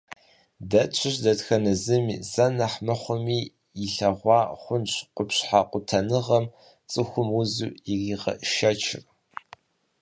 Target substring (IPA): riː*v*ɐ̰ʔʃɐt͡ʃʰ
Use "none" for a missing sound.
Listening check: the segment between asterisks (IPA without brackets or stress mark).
ʁ